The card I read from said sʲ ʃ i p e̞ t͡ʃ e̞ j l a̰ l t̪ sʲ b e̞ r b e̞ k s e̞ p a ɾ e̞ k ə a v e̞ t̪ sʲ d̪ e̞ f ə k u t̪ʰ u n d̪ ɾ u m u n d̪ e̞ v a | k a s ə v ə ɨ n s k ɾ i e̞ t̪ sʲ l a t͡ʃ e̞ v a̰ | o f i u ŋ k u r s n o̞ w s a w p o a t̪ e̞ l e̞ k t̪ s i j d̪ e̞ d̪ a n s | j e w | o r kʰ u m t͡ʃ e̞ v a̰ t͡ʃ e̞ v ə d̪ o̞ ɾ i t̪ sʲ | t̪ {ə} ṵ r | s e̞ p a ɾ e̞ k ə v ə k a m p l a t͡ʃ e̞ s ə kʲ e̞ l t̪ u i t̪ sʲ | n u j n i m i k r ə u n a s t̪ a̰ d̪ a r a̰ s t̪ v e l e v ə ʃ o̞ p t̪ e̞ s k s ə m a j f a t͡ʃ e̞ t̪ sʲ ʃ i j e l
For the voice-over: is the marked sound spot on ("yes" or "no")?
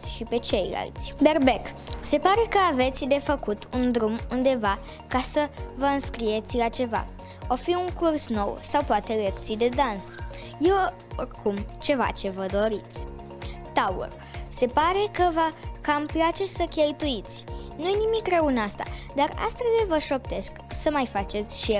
no